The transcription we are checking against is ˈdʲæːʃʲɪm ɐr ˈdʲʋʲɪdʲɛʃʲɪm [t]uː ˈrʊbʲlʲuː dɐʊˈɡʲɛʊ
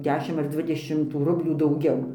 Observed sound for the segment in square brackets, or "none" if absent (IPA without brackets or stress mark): t